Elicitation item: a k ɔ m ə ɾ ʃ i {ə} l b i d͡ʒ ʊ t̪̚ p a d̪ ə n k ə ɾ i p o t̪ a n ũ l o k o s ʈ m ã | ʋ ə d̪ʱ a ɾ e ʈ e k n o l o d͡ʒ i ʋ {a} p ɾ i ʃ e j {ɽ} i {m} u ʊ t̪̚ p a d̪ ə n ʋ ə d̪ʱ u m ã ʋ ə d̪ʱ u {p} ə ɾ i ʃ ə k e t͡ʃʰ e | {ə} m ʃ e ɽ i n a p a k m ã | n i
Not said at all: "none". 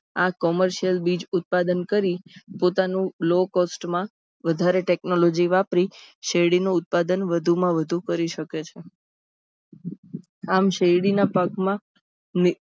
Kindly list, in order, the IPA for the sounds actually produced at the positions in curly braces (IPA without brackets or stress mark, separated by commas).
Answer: ə, a, ɽ, n, k, a